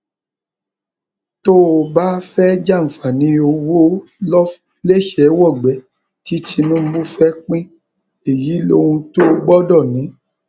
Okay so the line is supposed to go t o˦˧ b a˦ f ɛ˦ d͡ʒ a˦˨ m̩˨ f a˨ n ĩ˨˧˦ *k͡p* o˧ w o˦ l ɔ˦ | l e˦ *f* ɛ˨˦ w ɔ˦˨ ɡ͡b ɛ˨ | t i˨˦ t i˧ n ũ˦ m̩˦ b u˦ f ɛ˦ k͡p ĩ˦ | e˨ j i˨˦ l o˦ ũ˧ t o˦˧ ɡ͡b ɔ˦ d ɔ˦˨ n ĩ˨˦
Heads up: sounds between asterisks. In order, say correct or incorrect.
incorrect: none, incorrect: ʃ

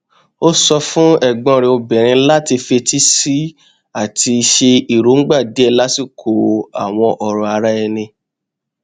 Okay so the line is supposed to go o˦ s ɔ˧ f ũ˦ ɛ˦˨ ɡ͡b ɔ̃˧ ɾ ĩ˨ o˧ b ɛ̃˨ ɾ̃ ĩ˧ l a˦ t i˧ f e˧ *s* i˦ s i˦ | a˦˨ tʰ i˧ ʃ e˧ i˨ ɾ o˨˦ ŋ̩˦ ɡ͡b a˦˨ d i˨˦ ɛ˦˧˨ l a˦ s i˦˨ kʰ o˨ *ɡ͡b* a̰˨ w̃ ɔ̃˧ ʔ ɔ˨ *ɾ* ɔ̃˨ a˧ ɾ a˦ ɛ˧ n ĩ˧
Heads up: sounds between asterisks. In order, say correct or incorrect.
incorrect: t, incorrect: none, correct

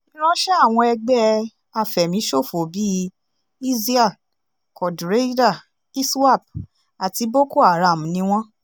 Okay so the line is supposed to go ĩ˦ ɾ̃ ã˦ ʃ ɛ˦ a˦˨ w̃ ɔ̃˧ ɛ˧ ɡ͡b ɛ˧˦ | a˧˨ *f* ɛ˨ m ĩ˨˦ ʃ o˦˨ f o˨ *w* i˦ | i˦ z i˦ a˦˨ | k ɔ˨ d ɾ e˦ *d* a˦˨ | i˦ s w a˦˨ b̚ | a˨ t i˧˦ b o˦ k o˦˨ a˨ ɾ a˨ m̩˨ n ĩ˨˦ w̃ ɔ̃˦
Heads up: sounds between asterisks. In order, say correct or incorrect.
correct, incorrect: b, correct

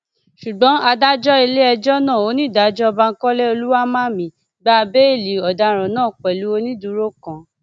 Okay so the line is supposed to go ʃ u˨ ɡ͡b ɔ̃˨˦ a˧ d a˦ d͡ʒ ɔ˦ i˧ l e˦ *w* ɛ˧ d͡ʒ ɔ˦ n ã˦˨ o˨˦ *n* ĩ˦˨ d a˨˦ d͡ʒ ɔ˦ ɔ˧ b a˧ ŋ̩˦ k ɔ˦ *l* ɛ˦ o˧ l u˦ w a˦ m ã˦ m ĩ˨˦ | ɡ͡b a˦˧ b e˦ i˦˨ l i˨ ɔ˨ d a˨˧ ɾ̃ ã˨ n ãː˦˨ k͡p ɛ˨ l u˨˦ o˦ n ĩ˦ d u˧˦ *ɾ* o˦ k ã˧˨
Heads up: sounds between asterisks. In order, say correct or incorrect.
incorrect: none, correct, correct, correct

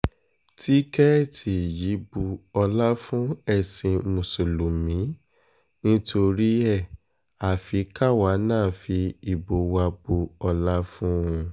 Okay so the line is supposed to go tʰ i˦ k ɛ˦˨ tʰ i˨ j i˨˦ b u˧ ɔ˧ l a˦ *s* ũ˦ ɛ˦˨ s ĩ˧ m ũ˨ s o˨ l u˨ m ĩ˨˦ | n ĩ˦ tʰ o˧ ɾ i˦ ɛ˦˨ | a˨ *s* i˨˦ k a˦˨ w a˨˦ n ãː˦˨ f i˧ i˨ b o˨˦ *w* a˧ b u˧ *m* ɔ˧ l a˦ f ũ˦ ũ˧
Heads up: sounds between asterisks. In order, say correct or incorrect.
incorrect: f, incorrect: f, correct, incorrect: none

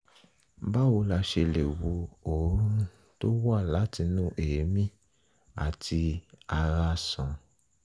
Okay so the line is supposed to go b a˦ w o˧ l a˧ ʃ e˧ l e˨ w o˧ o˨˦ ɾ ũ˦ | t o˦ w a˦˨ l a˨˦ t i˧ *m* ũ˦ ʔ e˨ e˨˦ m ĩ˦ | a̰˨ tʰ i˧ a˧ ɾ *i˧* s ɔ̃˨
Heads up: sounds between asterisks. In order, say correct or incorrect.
incorrect: n, incorrect: a˧

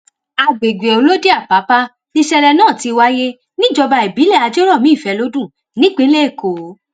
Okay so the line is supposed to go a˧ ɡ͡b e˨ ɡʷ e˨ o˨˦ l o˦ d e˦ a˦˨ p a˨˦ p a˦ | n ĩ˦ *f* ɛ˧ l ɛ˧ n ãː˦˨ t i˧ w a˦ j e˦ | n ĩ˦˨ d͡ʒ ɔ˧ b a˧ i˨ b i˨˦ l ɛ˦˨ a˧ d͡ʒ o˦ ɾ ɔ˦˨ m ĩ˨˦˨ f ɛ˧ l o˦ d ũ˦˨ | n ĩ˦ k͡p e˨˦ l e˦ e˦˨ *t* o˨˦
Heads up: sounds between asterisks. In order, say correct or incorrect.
incorrect: ʃ, incorrect: k

